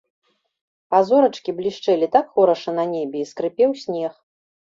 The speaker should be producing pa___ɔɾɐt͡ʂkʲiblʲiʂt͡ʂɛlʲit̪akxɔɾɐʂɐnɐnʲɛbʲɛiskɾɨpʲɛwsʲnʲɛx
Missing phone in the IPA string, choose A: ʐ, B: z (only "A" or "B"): B